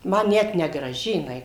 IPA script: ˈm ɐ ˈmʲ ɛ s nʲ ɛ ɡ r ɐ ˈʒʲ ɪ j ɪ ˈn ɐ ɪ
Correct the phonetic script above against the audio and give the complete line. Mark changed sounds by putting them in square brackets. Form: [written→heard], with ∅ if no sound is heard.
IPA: ˈm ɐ [ˈmʲ→ˈnʲ] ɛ [s→t] nʲ ɛ ɡ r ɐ ˈʒʲ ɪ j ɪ ˈn ɐ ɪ